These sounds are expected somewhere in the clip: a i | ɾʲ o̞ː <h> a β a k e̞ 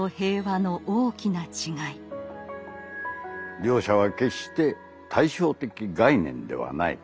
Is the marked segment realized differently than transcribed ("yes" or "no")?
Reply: yes